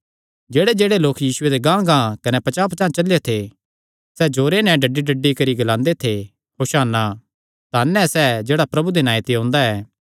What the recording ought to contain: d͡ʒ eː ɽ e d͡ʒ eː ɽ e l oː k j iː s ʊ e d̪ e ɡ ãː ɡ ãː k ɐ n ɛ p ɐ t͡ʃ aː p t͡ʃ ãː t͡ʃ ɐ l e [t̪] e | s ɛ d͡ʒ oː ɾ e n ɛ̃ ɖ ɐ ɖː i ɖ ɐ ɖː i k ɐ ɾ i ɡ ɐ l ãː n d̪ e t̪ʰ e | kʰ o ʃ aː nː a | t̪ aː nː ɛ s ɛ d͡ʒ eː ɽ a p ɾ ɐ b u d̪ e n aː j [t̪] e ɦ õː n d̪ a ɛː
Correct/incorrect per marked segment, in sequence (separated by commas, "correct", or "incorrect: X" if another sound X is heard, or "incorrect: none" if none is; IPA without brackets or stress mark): incorrect: t̪ʰ, correct